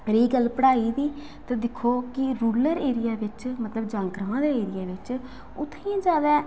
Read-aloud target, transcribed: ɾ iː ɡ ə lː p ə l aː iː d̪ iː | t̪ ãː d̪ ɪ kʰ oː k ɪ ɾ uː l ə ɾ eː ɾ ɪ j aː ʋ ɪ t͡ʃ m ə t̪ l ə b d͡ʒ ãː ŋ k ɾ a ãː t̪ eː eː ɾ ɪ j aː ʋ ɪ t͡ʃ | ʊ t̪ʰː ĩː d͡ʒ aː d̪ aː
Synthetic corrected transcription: ɾ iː ɡ ə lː p ə ɽ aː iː d̪ iː | t̪ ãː d̪ ɪ kʰ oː k ɪ ɾ uː l ə ɾ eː ɾ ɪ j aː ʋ ɪ t͡ʃ m ə t̪ l ə b d͡ʒ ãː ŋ k ɾ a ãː d̪ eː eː ɾ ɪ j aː ʋ ɪ t͡ʃ | ʊ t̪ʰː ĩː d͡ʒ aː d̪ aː